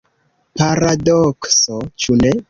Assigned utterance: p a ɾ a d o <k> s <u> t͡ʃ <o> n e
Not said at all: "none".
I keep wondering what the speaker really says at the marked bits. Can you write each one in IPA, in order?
k, o, u

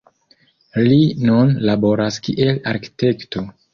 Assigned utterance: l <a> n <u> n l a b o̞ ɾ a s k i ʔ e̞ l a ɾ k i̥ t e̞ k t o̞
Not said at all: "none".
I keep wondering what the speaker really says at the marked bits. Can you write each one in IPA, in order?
i, u

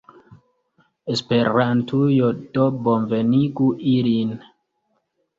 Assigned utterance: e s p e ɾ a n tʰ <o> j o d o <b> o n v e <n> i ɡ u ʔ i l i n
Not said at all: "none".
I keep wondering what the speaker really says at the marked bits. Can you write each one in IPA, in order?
u, b, n

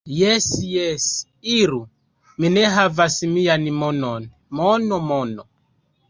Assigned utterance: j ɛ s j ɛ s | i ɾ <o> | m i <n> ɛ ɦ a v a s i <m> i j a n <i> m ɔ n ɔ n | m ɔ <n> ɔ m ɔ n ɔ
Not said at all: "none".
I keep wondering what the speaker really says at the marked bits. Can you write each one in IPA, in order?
u, n, m, i, n

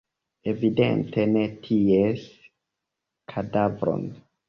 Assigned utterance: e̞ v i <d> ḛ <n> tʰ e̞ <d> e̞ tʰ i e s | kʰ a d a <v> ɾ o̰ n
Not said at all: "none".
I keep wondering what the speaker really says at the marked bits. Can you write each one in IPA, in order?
d, n, n, v

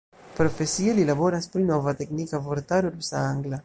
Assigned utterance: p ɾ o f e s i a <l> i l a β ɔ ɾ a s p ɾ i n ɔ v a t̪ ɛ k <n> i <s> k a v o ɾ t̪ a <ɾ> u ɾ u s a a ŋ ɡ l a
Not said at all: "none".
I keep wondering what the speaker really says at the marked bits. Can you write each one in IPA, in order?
l, n, none, ɾ

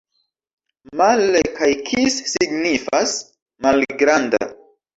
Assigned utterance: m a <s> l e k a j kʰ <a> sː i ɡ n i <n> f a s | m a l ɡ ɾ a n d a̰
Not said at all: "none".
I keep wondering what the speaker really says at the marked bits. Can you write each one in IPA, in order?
none, i, none

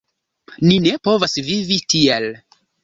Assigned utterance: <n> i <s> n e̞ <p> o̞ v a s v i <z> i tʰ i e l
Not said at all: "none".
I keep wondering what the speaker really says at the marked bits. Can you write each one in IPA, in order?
n, none, p, v

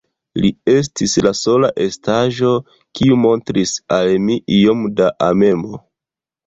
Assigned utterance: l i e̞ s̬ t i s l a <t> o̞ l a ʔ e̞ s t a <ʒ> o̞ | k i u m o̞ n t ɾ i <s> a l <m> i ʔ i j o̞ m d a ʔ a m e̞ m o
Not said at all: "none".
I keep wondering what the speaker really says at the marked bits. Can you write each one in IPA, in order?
s, ʒ, s, m

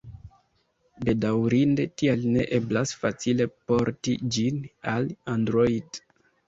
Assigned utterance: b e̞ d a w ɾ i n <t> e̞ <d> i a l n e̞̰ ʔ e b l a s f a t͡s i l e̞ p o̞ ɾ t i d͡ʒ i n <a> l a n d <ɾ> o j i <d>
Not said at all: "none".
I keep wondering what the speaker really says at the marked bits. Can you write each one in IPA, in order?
d, t, a, ɾ, d

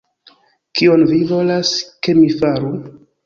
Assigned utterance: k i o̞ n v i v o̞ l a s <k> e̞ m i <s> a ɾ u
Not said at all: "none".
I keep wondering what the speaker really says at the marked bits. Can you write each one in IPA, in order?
k, f

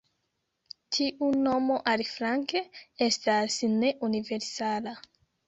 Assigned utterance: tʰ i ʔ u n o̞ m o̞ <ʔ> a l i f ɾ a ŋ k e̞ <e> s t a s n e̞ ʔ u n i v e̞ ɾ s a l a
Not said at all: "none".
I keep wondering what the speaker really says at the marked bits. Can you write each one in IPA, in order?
ʔ, e

